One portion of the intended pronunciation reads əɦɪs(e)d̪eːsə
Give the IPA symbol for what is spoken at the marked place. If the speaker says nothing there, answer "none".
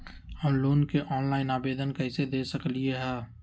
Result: e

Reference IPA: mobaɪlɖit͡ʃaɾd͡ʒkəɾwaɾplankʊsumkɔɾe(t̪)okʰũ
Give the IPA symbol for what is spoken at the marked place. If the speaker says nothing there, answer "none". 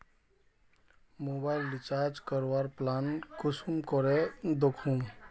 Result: d̪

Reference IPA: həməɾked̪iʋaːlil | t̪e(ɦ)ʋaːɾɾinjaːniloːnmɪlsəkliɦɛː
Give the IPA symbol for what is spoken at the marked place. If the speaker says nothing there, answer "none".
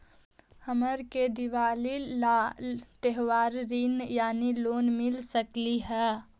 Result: ɦ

